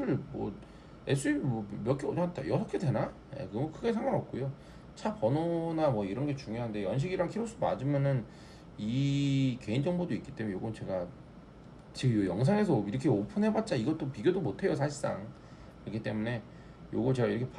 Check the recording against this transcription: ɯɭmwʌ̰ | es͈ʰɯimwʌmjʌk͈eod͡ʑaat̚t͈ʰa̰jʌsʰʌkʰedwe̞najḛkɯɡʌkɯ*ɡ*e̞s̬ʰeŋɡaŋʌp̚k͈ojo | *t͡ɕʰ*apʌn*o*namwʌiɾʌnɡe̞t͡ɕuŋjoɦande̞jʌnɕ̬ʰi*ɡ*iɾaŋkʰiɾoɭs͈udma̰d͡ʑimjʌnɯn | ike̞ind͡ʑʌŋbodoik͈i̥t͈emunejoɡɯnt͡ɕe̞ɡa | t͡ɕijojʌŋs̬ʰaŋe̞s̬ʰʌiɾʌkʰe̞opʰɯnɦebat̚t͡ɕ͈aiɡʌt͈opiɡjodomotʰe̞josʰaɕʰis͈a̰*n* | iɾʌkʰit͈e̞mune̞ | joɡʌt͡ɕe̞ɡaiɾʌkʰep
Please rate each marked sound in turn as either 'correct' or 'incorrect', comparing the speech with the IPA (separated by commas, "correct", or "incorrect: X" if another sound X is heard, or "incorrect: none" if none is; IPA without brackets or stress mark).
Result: correct, correct, correct, correct, incorrect: ŋ